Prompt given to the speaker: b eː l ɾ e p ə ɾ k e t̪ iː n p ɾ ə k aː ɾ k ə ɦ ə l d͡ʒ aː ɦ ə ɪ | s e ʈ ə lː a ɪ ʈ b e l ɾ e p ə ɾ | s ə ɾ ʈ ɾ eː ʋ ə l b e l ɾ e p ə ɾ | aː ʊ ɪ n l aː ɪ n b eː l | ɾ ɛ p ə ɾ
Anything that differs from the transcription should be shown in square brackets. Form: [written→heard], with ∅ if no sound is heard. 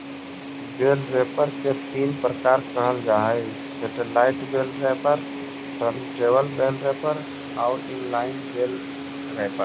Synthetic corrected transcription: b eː l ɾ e p ə ɾ k e t̪ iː n p ɾ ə k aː ɾ k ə ɦ ə l d͡ʒ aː ɦ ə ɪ | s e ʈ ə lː a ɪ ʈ b e l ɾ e p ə ɾ | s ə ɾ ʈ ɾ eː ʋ ə l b e l ɾ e p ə ɾ | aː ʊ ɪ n l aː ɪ n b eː l | ɾ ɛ p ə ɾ

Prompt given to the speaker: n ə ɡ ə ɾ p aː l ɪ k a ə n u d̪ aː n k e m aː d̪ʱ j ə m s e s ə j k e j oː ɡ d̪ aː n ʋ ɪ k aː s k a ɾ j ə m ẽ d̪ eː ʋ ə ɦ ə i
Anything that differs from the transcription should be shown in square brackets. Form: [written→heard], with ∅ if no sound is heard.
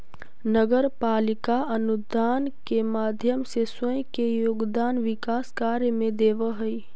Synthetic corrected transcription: n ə ɡ ə ɾ p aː l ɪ k a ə n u d̪ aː n k e m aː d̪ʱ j ə m s e s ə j k e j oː ɡ d̪ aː n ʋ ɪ k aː s k a ɾ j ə m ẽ d̪ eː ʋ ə ɦ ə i

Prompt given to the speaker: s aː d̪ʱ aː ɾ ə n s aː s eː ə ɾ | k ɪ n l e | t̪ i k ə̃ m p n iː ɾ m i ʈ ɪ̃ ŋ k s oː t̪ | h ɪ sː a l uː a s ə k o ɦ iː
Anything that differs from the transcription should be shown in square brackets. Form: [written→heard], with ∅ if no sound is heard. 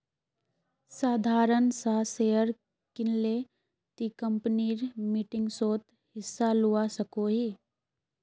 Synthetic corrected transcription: s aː d̪ʱ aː ɾ ə n s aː s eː ə ɾ | k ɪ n l e | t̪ i k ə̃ m p n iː ɾ m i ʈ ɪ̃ ŋ [k→ɡ] s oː t̪ | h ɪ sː a l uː a s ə k o ɦ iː

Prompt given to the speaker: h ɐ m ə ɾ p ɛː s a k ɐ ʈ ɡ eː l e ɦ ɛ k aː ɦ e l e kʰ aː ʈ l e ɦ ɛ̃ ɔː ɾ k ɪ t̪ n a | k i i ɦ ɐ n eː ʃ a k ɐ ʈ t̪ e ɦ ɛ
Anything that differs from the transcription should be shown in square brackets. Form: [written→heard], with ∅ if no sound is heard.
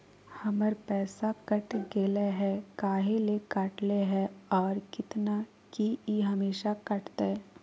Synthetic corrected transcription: h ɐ m ə ɾ p ɛː s a k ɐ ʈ ɡ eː l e ɦ ɛ k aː ɦ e l e [kʰ→k] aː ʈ l e ɦ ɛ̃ ɔː ɾ k ɪ t̪ n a | k i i ɦ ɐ [n→m] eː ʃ a k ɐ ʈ t̪ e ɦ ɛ

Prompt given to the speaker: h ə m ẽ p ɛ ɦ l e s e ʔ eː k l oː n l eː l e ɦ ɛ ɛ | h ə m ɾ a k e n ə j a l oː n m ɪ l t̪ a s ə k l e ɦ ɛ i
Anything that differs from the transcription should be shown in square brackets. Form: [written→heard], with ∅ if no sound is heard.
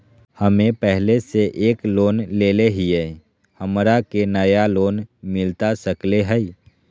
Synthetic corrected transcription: h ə m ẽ p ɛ ɦ l e s e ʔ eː k l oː n l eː l e ɦ [ɛ→i] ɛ | h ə m ɾ a k e n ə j a l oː n m ɪ l t̪ a s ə k l e ɦ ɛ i

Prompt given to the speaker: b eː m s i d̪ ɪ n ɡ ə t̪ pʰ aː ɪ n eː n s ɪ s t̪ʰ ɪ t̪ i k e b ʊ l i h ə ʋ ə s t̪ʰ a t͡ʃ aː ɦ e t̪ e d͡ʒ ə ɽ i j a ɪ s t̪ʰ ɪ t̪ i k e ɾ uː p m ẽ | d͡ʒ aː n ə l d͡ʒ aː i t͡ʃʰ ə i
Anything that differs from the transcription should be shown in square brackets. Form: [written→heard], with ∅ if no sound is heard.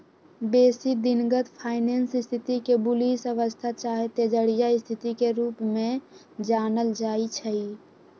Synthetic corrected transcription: b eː [m→∅] s i d̪ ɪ n ɡ ə t̪ pʰ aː ɪ n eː n s ɪ s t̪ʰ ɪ t̪ i k e b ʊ l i [h→s] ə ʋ ə s t̪ʰ a t͡ʃ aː ɦ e t̪ e d͡ʒ ə ɽ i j a ɪ s t̪ʰ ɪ t̪ i k e ɾ uː p m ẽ | d͡ʒ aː n ə l d͡ʒ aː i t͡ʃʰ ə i

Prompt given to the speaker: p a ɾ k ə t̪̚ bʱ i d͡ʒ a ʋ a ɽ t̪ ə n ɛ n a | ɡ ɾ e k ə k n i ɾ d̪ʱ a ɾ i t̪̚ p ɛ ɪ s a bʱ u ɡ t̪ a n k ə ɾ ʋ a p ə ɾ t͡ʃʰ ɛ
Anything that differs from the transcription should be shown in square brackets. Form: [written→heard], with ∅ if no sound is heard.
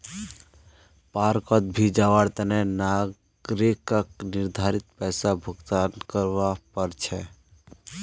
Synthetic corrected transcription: p a ɾ k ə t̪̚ bʱ i d͡ʒ a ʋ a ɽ t̪ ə n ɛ n a | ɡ ɾ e k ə k n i ɾ d̪ʱ a ɾ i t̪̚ p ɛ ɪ s a bʱ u ɡ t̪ a n k ə ɾ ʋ a p ə ɾ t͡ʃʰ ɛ

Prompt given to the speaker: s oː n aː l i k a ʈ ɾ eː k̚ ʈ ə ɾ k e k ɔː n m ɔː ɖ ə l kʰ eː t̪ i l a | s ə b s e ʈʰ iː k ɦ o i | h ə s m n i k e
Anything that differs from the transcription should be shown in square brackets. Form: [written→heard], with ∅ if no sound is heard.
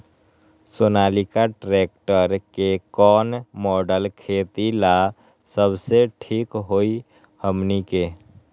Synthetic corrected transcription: s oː n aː l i k a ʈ ɾ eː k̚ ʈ ə ɾ k e k ɔː n m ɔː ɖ ə l kʰ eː t̪ i l a | s ə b s e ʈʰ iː k ɦ o i | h ə [s→∅] m n i k e

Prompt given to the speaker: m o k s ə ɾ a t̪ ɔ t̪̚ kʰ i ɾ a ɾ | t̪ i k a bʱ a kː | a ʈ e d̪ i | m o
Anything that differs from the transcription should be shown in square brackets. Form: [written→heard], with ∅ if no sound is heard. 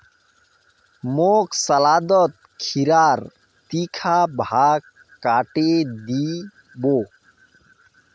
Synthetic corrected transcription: m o k s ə [ɾ→l] a [t̪→d̪] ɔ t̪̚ kʰ i ɾ a ɾ | t̪ i [k→kʰ] a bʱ a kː | a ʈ e d̪ i | [m→b] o

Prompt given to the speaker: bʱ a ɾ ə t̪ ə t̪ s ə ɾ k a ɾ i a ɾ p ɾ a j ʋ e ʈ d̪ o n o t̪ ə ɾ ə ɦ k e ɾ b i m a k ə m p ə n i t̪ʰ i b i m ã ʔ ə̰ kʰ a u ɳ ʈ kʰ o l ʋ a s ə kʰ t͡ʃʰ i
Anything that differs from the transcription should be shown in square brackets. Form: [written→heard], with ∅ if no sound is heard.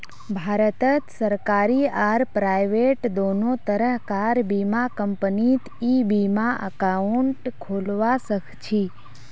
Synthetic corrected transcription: bʱ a ɾ ə t̪ ə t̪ s ə ɾ k a ɾ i a ɾ p ɾ a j ʋ e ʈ d̪ o n o t̪ ə ɾ ə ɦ k [e→a] ɾ b i m a k ə m p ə n i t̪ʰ i b i m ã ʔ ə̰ [kʰ→k] a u ɳ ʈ kʰ o l ʋ a s ə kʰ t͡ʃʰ i

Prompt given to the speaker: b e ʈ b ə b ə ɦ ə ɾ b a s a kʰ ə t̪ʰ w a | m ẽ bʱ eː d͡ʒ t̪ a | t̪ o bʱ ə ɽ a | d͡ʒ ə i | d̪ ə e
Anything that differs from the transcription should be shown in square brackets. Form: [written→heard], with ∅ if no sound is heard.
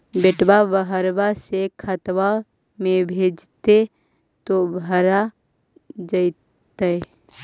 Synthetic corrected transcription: b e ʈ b [ə→a] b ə ɦ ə ɾ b a s [a→e] kʰ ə [t̪ʰ→t̪] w a | m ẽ bʱ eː d͡ʒ t̪ [a→e] | t̪ o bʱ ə [ɽ→ɾ] a | d͡ʒ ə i | [d̪→t̪] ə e

